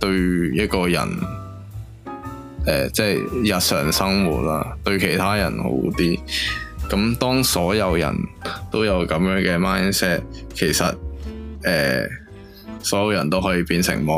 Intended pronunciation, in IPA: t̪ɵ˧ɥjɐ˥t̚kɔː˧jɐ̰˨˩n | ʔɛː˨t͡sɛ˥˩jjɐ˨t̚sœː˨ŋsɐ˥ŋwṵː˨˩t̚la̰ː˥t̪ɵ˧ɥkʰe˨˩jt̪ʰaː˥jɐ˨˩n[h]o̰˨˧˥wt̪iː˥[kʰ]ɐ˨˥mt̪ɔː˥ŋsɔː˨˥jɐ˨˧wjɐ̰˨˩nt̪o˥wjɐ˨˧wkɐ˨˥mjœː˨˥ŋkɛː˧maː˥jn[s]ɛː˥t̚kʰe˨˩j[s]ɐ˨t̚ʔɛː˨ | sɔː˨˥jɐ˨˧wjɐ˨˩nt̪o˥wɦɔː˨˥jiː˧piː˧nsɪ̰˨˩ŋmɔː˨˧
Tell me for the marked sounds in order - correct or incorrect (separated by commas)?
correct, incorrect, correct, correct